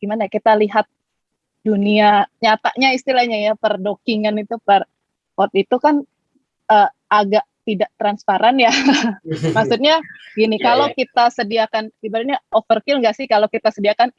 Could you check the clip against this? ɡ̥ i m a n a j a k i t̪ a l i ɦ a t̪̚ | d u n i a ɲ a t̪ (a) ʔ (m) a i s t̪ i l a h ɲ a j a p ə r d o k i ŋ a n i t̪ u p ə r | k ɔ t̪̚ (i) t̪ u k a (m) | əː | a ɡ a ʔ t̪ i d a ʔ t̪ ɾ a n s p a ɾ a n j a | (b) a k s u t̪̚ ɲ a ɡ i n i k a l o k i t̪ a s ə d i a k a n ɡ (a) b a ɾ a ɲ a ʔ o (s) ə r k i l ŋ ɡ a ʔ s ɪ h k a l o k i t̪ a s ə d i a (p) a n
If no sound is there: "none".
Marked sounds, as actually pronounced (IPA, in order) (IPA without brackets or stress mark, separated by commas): a, ɲ, i, n, m, i, f, k